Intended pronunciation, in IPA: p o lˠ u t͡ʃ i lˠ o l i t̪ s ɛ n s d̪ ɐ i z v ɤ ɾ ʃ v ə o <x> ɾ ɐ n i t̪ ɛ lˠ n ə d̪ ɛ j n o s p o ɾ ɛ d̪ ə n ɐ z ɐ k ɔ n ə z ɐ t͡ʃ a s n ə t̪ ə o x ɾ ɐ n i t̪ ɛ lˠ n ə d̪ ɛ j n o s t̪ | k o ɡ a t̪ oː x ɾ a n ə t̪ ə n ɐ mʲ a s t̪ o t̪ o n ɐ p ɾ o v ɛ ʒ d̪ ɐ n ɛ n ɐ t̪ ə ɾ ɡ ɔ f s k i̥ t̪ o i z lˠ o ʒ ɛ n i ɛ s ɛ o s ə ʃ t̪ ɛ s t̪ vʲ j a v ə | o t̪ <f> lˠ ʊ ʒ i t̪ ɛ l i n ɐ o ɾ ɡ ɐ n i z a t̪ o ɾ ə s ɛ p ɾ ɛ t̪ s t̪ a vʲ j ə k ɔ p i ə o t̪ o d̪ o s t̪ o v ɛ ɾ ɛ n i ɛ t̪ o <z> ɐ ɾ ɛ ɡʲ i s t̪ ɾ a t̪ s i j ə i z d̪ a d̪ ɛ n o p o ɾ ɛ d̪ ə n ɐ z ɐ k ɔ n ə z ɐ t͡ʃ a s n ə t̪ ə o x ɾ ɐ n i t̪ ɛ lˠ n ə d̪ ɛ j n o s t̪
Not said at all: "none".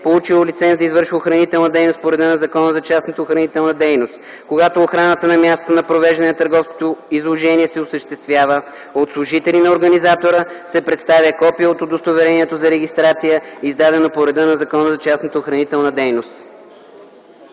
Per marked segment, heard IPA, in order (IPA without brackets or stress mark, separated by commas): x, s, z